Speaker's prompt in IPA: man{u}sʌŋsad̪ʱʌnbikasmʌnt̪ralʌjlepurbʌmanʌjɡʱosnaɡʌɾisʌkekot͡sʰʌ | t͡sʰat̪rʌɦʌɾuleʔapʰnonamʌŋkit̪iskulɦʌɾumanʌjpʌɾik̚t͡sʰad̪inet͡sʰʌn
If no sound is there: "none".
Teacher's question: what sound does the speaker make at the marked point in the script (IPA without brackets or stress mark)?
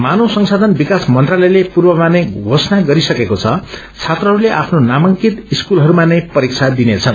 o